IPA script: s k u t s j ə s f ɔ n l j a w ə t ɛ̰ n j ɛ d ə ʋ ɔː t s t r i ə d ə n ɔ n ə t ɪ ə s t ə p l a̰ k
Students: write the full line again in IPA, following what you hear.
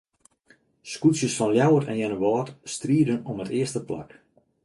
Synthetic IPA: s k u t s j ə s f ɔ n l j a w ə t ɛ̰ n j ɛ n ə ʋ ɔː t s t r i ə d ə n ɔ m ə t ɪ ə s t ə p l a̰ k